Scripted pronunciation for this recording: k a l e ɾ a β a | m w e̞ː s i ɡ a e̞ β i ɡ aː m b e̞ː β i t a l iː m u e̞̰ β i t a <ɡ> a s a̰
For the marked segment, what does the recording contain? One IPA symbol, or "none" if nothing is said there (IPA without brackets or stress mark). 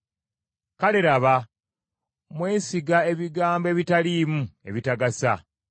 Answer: ɡ